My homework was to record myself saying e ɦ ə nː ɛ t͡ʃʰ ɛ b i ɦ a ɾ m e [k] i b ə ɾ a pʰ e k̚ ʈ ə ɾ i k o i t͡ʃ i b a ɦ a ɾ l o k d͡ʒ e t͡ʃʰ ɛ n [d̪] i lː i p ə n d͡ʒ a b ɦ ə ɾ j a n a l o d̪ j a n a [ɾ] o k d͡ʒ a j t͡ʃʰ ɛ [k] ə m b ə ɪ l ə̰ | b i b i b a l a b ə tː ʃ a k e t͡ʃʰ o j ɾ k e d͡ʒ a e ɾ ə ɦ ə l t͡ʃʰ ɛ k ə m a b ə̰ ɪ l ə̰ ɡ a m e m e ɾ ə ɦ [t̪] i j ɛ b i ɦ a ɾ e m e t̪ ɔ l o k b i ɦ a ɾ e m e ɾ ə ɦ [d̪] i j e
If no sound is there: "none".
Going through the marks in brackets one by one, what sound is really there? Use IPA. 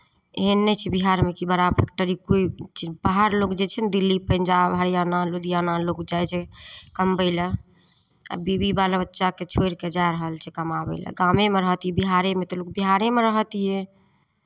k, d̪, l, k, t̪, t̪

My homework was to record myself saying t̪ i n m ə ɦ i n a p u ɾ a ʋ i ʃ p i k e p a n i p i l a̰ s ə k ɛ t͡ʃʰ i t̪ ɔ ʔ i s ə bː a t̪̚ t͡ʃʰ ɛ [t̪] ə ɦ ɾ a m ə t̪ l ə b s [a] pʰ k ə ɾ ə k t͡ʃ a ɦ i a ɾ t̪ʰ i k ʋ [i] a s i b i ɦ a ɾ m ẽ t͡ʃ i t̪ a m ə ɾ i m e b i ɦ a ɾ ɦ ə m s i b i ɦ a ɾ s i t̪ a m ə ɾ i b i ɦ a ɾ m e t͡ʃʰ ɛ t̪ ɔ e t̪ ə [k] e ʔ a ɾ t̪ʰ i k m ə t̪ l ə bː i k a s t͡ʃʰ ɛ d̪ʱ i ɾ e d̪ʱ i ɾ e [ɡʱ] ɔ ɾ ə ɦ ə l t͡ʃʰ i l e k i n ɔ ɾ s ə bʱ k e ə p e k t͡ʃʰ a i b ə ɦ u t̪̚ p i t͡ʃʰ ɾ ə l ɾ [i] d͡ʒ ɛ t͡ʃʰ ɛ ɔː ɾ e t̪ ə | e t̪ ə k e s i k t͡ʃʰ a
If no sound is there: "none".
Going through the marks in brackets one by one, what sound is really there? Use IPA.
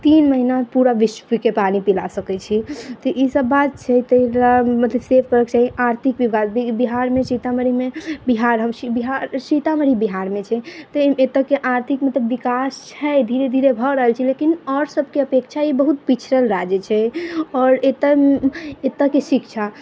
t̪, e, i, k, bʱ, a

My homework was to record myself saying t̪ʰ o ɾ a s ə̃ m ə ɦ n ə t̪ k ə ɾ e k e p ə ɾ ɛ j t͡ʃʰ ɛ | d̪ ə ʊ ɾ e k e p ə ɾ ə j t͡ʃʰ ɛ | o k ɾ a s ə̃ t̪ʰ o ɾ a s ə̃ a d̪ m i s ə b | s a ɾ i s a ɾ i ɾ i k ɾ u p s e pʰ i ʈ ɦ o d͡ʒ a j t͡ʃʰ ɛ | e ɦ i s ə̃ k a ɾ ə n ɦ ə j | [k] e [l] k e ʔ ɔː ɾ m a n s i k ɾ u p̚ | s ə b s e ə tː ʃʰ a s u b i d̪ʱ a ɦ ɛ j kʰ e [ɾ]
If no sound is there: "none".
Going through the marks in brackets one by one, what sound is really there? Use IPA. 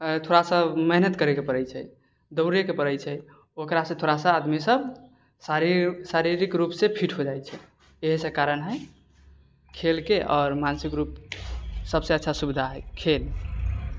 kʰ, l, l

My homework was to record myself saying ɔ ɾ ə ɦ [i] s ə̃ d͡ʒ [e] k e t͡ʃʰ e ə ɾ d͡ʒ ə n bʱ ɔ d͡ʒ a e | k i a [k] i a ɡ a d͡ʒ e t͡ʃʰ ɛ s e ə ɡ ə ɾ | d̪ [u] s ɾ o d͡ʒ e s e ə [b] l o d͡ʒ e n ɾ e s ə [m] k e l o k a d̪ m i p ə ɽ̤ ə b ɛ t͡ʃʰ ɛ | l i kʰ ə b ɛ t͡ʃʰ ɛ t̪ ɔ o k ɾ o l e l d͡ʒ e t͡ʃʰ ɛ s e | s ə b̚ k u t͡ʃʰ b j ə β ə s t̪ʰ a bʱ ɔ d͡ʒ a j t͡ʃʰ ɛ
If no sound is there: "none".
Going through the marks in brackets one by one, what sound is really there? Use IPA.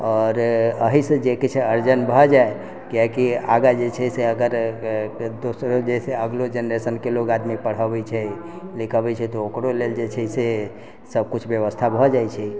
i, e, k, o, ɡ, n

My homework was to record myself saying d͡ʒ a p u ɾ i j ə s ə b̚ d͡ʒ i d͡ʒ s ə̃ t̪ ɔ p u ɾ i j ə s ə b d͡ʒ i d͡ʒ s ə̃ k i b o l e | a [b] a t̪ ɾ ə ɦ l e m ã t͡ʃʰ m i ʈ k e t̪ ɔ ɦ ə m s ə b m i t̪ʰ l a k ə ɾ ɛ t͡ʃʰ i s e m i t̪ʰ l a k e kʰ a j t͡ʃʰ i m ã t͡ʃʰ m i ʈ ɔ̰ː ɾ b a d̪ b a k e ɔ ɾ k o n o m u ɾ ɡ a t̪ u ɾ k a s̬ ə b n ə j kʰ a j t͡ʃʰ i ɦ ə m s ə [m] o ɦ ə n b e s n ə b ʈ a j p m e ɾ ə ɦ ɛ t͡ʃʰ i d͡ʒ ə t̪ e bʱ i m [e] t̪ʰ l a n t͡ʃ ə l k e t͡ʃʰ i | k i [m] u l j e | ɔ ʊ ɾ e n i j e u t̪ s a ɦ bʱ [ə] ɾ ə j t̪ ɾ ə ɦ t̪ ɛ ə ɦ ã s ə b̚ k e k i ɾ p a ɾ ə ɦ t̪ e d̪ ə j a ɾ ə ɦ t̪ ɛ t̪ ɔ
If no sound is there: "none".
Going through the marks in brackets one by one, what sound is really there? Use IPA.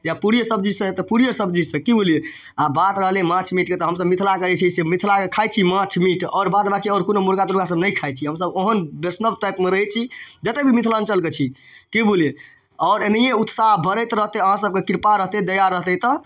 b, b, i, b, ə

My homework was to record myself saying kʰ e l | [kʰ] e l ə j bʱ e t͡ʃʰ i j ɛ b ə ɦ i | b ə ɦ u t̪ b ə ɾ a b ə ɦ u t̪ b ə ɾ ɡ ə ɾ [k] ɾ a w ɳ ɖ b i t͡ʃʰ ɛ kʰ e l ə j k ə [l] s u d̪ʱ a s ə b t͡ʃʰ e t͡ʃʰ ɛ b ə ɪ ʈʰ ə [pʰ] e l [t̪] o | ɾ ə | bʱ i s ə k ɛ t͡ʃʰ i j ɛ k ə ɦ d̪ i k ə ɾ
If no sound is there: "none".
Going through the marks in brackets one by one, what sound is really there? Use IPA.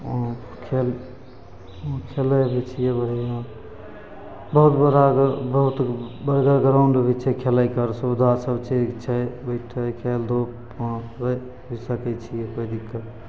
kʰ, ɡ, ɾ, kʰ, d̪

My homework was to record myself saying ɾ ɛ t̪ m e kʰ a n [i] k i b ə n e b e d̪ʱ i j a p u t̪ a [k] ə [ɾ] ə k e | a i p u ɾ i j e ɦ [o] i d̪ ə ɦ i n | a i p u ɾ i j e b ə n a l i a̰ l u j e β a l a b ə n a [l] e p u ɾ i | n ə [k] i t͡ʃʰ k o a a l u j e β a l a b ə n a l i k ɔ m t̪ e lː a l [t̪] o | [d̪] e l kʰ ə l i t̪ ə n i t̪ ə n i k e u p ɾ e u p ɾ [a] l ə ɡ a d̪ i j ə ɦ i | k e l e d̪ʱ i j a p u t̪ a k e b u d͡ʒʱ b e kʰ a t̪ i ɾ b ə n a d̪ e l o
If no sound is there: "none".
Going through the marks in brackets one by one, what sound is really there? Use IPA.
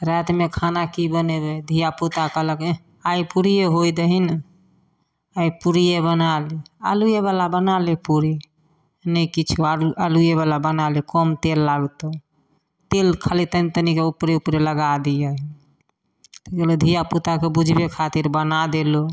a, k, l, o, l, k, t̪, t̪, e

